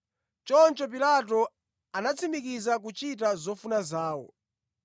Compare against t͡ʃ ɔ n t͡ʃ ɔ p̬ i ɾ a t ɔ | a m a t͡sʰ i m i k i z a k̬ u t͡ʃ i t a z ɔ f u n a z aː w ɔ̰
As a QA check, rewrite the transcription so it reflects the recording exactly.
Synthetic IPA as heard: t͡ʃ ɔ n t͡ʃ ɔ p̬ i l a t ɔ | a n a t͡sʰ i m i k i z a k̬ u t͡ʃ i t a z ɔ f u n a z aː w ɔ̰